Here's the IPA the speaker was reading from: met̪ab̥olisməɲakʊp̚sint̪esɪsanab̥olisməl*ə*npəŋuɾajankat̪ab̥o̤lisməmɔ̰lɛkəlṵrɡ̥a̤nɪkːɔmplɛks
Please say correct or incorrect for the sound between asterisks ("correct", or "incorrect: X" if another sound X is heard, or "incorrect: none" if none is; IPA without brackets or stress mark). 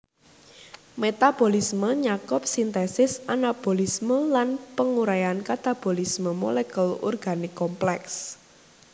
incorrect: a